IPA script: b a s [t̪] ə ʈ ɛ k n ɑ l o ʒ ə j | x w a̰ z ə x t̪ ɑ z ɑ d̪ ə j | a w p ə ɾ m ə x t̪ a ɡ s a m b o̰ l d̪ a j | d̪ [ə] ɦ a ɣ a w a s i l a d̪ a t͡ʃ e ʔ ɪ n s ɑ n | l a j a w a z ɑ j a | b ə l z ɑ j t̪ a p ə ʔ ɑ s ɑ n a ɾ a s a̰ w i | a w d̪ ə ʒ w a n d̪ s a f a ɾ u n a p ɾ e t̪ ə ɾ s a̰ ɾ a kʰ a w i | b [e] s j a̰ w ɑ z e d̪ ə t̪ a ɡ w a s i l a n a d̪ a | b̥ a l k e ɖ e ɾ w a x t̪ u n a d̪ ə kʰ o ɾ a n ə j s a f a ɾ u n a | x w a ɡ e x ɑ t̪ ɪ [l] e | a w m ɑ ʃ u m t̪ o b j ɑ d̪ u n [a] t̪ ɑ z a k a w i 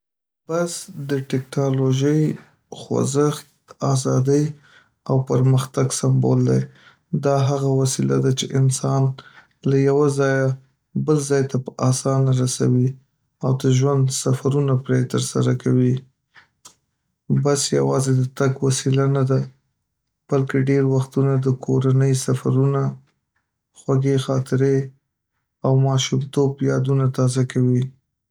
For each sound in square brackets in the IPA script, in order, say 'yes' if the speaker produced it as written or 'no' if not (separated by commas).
no, no, no, no, yes